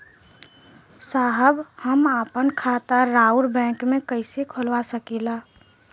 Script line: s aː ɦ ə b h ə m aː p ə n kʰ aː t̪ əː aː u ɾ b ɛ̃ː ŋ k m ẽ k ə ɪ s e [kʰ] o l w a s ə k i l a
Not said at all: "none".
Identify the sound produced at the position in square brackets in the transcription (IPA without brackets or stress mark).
kʰ